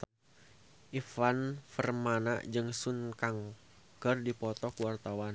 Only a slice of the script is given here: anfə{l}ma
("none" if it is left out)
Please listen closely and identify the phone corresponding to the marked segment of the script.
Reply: r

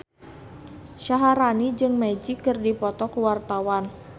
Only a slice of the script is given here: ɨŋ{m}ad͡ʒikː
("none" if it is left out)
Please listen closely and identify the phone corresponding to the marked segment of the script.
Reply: m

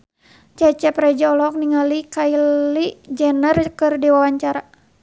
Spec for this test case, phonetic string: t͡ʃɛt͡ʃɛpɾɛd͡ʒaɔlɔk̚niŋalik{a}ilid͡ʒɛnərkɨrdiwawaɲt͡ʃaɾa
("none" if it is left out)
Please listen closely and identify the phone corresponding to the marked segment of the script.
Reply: a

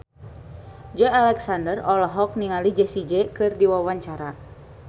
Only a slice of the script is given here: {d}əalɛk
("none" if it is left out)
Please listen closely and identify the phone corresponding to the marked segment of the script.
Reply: d͡ʒ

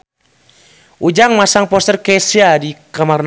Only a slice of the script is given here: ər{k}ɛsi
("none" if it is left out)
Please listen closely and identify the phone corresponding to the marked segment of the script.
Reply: k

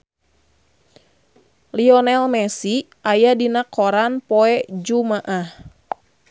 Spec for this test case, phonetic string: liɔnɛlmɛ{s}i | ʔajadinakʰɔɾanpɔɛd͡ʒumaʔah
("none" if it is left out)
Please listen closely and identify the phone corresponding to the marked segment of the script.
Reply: s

